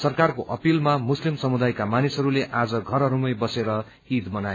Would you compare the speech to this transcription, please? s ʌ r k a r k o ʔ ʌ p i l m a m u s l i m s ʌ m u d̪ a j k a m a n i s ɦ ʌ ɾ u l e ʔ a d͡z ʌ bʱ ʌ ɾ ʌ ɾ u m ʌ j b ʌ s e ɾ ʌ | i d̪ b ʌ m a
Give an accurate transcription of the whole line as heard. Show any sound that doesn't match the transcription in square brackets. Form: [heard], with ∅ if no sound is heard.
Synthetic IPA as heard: s ʌ r k a r k o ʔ ʌ p i l m a m u s l i m s ʌ m u d̪ a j k a m a n i s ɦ ʌ ɾ u l e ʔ a d͡z ʌ [ɡʱ] ʌ ɾ ʌ ɾ u m ʌ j b ʌ s e ɾ ʌ | i d̪ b ʌ [n] a

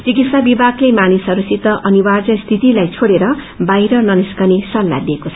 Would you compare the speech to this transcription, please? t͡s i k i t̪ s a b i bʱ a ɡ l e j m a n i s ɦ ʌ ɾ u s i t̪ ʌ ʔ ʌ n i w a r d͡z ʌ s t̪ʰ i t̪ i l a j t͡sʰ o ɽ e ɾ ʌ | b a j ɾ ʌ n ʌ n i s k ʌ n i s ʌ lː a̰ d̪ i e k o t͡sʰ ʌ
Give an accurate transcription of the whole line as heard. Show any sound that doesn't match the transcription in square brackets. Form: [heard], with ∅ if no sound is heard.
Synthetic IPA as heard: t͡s i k i t̪ s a b i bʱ a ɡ l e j m a n i s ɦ ʌ ɾ u s i t̪ ʌ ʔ ʌ n i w a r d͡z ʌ s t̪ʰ i t̪ i l a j t͡sʰ o ɽ e ɾ ʌ | b a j ɾ ʌ n ʌ n i s k ʌ n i s ʌ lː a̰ d̪ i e k o t͡sʰ ʌ

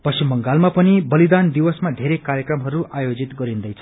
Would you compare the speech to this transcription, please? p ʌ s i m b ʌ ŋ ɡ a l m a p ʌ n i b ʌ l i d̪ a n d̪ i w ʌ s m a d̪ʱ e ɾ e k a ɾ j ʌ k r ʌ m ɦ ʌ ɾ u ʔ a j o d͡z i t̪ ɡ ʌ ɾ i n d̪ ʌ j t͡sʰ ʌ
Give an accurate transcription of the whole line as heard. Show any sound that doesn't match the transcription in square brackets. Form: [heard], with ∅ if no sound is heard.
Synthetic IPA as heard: p ʌ s i m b ʌ ŋ ɡ a l m a p ʌ n i b ʌ l i d̪ a n d̪ i w ʌ s m a d̪ʱ e ɾ e k a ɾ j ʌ k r ʌ m ɦ ʌ ɾ u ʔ a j o d͡z i t̪ ɡ ʌ ɾ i n d̪ ʌ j t͡sʰ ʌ

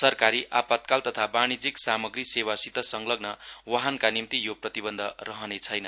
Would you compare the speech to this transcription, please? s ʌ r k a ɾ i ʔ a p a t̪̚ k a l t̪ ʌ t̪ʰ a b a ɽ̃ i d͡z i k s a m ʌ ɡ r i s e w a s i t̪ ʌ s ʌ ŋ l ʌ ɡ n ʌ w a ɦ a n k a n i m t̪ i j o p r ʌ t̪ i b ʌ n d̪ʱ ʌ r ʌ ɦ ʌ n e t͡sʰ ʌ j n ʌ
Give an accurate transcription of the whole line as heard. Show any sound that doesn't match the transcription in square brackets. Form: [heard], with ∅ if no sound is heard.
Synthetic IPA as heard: s ʌ r k a ɾ i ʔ a p a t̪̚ k a l t̪ ʌ t̪ʰ a b a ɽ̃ i d͡z i k s a m ʌ ɡ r i s e w a s i t̪ ʌ s ʌ ŋ l ʌ ɡ n ʌ w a ɦ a n k a n i m t̪ i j o p r ʌ t̪ i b ʌ n d̪ʱ ʌ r ʌ ɦ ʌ n e t͡sʰ ʌ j n ʌ

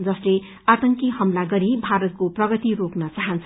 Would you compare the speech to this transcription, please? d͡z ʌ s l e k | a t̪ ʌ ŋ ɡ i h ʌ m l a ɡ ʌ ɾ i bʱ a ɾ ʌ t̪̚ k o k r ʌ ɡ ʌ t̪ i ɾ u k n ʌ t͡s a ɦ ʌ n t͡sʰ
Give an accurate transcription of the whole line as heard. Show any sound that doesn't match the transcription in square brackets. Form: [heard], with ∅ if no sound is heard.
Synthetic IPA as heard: d͡z ʌ s l e [∅] | a t̪ ʌ ŋ [k] i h ʌ m l a ɡ ʌ ɾ i bʱ a ɾ ʌ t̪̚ k o [p] r ʌ ɡ ʌ t̪ i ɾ [o] k n ʌ t͡s a ɦ ʌ n t͡sʰ

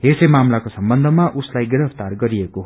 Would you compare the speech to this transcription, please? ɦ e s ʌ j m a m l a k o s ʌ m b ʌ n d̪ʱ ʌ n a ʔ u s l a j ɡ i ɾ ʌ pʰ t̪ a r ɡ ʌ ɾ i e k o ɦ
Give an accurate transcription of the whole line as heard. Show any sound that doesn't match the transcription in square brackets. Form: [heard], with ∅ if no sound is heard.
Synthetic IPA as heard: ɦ e s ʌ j m a m l a k o s ʌ m b ʌ n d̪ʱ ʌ [m] a ʔ u s l a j ɡ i ɾ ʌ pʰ t̪ a r ɡ ʌ ɾ i e k o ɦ

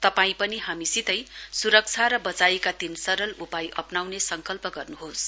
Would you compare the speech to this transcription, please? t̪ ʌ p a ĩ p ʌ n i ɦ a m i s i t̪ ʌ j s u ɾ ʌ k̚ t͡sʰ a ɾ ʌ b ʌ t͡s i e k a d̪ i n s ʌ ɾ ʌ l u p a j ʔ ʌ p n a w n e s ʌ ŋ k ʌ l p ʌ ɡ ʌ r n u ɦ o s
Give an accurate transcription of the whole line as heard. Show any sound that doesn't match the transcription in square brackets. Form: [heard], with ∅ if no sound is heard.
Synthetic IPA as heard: t̪ ʌ p a ĩ p ʌ n i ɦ a m i s i t̪ ʌ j s u ɾ ʌ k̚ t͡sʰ a ɾ ʌ b ʌ t͡s [a] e k a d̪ i n s ʌ ɾ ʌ l u p a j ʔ ʌ p n a w n e s ʌ ŋ k ʌ l p ʌ ɡ ʌ r n u ɦ o s

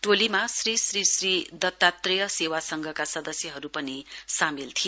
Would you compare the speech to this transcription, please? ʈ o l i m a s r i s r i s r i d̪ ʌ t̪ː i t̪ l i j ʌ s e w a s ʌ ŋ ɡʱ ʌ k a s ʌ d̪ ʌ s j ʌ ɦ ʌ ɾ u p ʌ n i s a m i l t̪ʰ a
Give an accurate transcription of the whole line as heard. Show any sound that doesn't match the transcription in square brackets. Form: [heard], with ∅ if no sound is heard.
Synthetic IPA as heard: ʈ o l i m a s r i s r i s r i d̪ ʌ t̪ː [a] t̪ [r] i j ʌ s e w a s ʌ ŋ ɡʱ ʌ k a s ʌ d̪ ʌ s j ʌ ɦ ʌ ɾ u p ʌ n i s a m i l t̪ʰ [i]

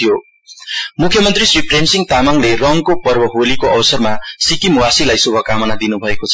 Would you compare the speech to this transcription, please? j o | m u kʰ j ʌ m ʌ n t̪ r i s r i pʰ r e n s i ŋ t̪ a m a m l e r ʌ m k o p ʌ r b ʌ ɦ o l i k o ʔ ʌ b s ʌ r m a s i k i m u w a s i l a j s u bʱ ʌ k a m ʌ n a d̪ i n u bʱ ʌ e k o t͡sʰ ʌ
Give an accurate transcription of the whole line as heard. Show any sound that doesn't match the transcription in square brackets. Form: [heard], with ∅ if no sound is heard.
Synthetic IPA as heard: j o | m u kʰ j ʌ m ʌ n t̪ r i s r i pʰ r e n s i ŋ t̪ a m a [ŋ] l e r ʌ [ŋ] k o p ʌ r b ʌ ɦ o l i k o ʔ ʌ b s ʌ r m a s i k i m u w a s i l a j s u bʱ ʌ k a m ʌ n a d̪ i n u bʱ ʌ e k o t͡sʰ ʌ

